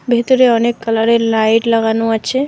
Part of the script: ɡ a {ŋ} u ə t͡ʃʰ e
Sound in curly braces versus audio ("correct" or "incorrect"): incorrect